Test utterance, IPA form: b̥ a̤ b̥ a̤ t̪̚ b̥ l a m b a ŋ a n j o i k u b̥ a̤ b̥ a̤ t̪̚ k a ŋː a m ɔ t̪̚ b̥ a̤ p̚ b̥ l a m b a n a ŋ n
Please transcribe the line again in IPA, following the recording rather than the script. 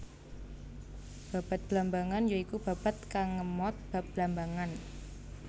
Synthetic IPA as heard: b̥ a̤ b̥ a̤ t̪̚ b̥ l a m b a ŋ a n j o i k u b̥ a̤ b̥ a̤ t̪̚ k a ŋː ə m ɔ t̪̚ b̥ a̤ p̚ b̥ l a m b a ŋ a n

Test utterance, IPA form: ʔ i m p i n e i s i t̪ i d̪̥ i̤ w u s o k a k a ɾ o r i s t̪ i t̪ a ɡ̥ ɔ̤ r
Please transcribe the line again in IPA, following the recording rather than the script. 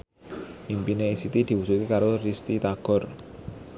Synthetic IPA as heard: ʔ i m p i n e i s i t̪ i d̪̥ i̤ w u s u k i k a ɾ o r i s t̪ i t̪ a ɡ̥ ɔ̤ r

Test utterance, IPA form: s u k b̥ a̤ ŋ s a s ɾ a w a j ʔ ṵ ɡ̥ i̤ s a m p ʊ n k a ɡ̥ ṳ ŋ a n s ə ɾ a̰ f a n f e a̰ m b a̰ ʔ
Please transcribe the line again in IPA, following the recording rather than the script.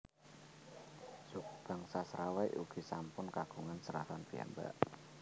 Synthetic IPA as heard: s u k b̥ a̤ ŋ s a s ɾ a w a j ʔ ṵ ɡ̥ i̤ s a m p ʊ n k a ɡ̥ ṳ ŋ a n s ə ɾ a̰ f a n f i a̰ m b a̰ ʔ

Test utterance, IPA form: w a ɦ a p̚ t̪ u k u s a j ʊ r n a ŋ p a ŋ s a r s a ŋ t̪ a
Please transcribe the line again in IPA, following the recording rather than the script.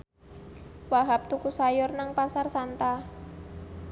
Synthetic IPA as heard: w a ɦ a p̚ t̪ u k u s a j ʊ r n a ŋ p a s a r s a n t̪ a

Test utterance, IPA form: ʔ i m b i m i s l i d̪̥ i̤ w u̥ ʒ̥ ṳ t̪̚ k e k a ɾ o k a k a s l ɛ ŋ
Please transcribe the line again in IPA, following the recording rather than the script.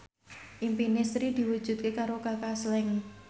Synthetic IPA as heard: ʔ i m p i n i s ɾ i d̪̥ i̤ w u̥ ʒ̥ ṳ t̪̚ k e k a ɾ o k a k a s l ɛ ŋ

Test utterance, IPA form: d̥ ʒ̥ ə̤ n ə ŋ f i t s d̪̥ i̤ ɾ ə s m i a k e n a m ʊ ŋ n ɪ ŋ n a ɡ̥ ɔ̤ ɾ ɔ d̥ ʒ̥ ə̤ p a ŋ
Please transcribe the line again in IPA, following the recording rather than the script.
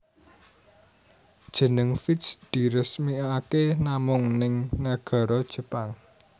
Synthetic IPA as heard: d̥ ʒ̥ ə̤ n ə ŋ f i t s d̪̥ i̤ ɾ ə s m i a k e n a m ʊ ŋ n ɪ ŋ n a ɡ̥ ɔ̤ ɾ ɔ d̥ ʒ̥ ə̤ p a ŋ

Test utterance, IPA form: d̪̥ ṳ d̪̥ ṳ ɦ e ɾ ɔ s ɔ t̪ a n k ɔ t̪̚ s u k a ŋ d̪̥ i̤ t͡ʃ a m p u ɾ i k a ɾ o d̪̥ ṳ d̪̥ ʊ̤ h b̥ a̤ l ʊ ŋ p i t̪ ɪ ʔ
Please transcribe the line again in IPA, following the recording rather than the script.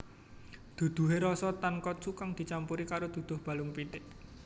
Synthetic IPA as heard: d̪̥ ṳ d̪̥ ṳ ɦ e ɾ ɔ s ɔ t̪ a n k ɔ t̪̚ s u k a ŋ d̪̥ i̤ t͡ʃ a m p u ɾ i k a ɾ o d̪̥ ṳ d̪̥ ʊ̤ h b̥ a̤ l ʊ ŋ p i t̪ ɪ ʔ

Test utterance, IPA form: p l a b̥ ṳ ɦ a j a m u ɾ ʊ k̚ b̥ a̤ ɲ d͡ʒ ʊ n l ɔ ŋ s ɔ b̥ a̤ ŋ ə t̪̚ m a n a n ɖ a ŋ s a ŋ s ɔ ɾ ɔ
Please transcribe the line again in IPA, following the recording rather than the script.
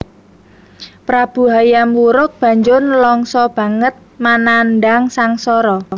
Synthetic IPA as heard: p ɾ a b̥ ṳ ɦ a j a m u ɾ ʊ k̚ b̥ a̤ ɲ d͡ʒ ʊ n l ɔ ŋ s ɔ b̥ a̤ ŋ ə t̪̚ m a n a n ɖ a ŋ s a ŋ s ɔ ɾ ɔ

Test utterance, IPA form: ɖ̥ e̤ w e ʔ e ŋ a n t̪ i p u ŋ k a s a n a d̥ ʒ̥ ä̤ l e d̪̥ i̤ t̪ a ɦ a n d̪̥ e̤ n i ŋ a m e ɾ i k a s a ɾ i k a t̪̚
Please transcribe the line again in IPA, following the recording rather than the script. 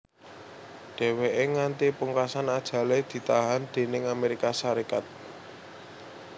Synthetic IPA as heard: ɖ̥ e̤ w e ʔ e ŋ a n t̪ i p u ŋ k a s a n a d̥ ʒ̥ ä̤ l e d̪̥ i̤ t̪ a ɦ a n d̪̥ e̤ n ɪ ŋ a m e ɾ i k a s a ɾ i k a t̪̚

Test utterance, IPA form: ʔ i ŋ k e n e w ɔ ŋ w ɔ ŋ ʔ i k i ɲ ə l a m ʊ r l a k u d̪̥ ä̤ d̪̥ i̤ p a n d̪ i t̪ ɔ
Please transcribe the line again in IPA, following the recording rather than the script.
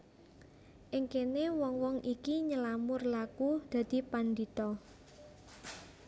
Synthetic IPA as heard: ʔ ɪ ŋ k e n e w ɔ ŋ w ɔ ŋ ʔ i k i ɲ ə l a m ʊ r l a k u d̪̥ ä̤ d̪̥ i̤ p a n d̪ i t̪ ɔ

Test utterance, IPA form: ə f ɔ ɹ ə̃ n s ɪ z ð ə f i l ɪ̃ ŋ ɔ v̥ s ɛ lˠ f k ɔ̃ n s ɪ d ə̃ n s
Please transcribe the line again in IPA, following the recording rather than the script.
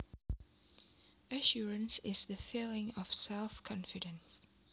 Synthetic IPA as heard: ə ʃ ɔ ɹ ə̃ n s ɪ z ð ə f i l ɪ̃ ŋ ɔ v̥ s ɛ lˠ f kʰ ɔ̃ n f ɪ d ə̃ n s

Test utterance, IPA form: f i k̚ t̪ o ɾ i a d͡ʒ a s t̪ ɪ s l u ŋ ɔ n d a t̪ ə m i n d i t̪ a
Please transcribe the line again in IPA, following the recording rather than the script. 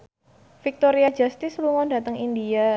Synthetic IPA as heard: f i k̚ t̪ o ɾ i a d͡ʒ a s t̪ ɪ s l u ŋ ɔ n d a t̪ ə ŋ i n d i a

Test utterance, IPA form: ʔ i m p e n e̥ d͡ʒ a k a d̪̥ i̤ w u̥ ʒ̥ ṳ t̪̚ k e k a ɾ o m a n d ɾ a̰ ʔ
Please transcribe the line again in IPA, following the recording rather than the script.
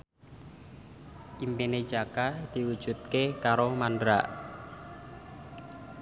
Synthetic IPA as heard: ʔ i m p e n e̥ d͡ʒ a k a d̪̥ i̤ w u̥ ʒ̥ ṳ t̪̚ k e k a ɾ o m a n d ɾ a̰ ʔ

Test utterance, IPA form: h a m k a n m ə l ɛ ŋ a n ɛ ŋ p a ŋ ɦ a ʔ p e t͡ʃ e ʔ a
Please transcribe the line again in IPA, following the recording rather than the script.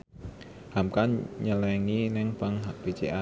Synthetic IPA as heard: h a m k a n ɲ ə l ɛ ŋ i n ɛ ŋ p a ŋ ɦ a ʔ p e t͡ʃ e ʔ a

